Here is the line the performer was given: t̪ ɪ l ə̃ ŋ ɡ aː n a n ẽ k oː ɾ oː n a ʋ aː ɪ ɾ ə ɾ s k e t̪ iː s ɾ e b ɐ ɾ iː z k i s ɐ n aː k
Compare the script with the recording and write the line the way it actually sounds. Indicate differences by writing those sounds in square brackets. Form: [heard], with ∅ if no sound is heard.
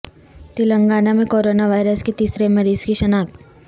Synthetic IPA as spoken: t̪ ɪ l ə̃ ŋ ɡ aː n a [m] ẽ k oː ɾ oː n a ʋ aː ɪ ɾ ə [∅] s k e t̪ iː s ɾ e [m] ɐ ɾ iː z k i [ʃ] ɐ n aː k